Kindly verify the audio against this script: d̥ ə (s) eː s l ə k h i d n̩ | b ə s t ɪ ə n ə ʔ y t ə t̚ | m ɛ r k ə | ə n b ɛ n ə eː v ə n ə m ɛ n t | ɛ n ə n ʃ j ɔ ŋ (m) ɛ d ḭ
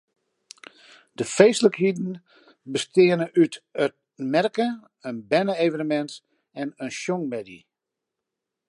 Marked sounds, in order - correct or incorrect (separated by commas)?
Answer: incorrect, correct